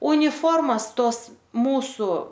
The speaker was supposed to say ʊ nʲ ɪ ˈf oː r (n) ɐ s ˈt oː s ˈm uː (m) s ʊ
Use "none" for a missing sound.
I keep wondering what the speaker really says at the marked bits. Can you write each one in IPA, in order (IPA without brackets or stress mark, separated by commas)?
m, none